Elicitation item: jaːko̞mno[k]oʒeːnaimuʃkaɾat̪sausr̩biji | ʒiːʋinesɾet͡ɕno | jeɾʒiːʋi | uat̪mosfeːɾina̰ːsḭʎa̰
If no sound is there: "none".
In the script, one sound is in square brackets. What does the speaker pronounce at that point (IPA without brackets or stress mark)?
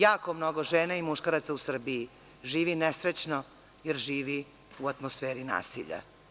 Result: ɡ